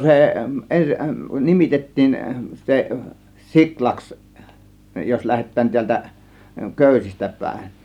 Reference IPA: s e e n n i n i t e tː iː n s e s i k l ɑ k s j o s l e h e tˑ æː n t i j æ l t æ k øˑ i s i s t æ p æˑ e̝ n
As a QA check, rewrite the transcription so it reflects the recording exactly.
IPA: s e e n n i m i t e tː iː n s e s i k l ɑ k s j o s l æ h e tˑ æː n t i æ l t æ k øˑ y s i s t æ p æˑ e̝ n